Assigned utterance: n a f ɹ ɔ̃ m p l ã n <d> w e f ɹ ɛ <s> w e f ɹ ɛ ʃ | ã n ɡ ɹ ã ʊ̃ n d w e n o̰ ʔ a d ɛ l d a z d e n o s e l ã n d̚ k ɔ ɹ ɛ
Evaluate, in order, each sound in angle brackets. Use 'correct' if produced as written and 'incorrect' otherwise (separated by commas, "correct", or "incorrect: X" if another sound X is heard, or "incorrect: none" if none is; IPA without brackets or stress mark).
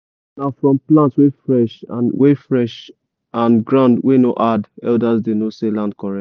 incorrect: t, incorrect: ʃ